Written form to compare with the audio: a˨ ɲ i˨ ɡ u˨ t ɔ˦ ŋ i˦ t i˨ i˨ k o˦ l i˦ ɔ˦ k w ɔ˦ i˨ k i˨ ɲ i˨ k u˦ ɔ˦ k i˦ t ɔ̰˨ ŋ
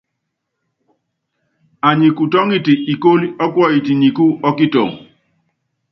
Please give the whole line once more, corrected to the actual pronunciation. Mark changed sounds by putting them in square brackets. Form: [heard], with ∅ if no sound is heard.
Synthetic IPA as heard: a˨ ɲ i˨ [k] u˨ t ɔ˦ ŋ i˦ t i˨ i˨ k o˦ l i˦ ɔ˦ k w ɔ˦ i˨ [t] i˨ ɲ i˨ k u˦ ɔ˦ k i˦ t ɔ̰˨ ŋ